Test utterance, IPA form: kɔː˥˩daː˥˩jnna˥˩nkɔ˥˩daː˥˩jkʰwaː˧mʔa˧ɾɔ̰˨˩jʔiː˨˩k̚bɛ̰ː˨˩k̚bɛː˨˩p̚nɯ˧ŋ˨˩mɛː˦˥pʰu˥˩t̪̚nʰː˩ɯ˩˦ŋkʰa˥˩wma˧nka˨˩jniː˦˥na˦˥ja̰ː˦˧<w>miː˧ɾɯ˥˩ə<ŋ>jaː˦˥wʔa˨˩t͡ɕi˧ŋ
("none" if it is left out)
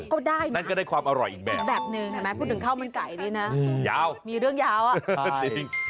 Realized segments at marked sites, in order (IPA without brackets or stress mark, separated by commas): w, ŋ